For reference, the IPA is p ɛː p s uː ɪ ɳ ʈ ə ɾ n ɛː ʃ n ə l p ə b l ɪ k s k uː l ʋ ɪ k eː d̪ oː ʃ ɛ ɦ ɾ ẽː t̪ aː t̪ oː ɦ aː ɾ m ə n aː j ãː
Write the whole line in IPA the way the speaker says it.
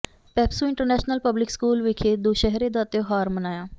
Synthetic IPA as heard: p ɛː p s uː ɪ ɳ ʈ ə ɾ n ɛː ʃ n ə l p ə b l ɪ k s k uː l ʋ ɪ kʰ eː d̪ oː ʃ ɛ ɦ ɾ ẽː d̪ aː t̪ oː ɦ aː ɾ m ə n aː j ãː